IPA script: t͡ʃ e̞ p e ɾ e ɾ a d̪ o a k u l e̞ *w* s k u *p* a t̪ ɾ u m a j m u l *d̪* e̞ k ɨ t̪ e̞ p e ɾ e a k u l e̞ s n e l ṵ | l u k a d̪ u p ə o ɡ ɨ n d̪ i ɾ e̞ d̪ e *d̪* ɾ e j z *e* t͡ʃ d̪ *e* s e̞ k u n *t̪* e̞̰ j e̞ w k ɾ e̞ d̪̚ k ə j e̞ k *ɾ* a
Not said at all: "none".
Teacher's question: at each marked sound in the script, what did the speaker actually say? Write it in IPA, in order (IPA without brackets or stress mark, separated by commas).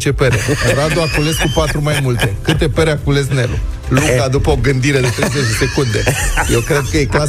none, p, t̪, t̪, e, e, d̪, l